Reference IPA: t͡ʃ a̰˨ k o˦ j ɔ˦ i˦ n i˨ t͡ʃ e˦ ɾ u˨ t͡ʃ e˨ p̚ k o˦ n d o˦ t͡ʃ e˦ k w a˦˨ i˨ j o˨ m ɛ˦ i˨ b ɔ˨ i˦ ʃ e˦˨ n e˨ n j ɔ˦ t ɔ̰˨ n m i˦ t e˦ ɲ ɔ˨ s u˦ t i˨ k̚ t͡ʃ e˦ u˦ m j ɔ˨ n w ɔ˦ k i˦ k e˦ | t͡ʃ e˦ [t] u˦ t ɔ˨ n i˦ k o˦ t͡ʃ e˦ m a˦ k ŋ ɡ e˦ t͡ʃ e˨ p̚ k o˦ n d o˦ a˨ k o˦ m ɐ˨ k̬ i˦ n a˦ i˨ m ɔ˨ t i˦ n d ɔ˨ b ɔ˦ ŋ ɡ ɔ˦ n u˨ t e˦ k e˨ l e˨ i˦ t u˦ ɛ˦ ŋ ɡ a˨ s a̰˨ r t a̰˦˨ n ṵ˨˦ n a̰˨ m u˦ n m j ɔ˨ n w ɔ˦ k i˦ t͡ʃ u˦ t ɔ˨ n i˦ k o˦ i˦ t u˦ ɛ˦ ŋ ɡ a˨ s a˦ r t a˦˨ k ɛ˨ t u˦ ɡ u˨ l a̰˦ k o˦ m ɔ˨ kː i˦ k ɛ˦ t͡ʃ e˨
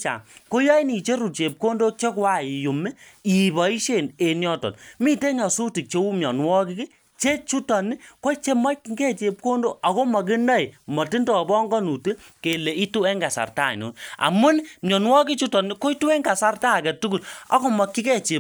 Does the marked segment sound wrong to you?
yes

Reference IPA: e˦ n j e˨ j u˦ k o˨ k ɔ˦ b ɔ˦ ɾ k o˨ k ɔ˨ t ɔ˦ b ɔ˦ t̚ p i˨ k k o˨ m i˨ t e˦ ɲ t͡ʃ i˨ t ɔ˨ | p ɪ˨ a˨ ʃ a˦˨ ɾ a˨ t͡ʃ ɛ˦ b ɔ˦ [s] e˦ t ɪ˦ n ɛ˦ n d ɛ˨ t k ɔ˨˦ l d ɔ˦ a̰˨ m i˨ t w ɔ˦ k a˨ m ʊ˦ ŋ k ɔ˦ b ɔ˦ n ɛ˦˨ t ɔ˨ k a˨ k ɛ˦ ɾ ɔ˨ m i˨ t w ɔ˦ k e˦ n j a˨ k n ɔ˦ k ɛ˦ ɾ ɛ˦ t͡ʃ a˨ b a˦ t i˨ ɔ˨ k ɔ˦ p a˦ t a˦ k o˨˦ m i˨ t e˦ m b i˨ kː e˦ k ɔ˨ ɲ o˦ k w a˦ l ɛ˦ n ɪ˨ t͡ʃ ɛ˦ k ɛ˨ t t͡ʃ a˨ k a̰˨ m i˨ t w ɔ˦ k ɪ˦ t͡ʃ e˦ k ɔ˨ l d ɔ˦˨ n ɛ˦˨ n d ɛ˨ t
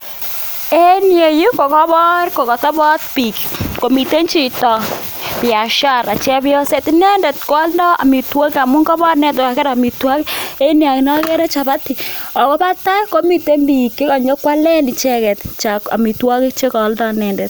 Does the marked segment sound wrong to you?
no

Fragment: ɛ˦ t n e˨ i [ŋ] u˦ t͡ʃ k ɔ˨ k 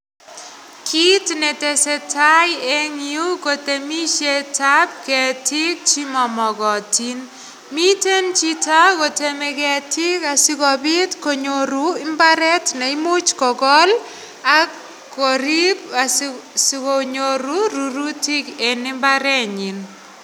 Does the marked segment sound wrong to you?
yes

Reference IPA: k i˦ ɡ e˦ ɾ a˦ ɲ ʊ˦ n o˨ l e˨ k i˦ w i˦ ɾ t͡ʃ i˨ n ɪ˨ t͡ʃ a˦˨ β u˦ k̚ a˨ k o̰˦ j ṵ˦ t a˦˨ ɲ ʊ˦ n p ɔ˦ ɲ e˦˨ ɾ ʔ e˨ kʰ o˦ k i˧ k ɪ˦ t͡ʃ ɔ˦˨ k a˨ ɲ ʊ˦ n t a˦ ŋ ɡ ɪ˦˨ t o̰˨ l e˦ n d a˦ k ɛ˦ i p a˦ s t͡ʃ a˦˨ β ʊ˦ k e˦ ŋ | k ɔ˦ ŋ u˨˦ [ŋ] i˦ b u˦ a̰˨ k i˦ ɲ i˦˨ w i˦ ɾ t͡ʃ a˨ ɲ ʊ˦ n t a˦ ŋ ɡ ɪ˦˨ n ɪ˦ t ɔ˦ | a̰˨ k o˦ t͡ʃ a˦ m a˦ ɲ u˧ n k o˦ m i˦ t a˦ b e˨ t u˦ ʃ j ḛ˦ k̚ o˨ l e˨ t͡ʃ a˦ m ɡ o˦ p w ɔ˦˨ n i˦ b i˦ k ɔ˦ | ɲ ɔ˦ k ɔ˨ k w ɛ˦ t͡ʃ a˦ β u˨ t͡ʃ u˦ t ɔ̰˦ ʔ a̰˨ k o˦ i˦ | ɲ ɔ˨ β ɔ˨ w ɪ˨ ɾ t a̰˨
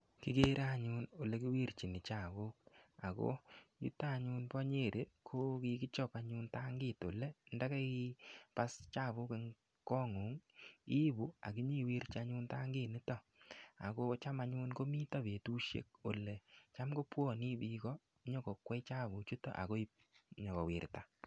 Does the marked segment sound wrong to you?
no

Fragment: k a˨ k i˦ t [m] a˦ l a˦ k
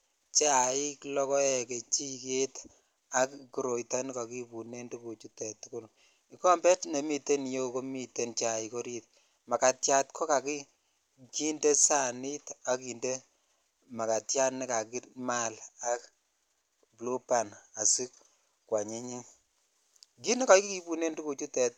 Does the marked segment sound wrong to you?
no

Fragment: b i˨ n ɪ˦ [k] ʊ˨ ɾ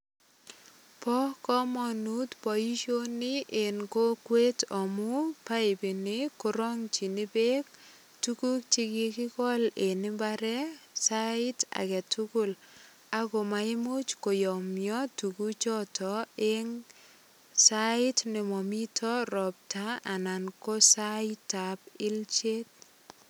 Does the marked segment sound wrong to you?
no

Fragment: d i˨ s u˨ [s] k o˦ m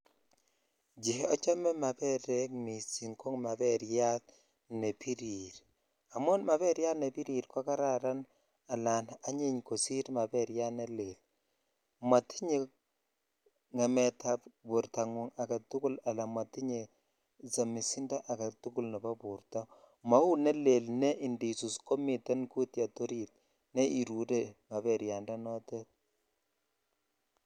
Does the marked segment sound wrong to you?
no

